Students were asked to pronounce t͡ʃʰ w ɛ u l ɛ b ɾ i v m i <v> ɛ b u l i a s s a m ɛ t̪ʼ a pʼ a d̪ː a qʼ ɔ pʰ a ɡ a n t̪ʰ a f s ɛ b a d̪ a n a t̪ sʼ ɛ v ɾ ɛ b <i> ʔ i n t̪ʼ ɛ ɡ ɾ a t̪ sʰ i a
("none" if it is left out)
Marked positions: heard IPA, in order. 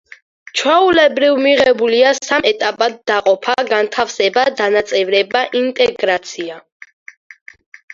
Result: ʁ, a

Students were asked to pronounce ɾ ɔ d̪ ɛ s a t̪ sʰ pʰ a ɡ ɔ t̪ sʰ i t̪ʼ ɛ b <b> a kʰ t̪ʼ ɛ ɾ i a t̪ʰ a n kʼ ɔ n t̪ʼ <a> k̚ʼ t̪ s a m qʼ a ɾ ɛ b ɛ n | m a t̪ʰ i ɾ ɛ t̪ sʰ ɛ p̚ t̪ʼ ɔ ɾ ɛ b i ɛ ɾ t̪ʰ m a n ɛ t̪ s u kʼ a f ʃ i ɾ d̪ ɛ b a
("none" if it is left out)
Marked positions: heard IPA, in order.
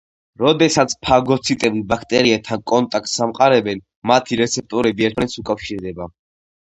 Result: b, a

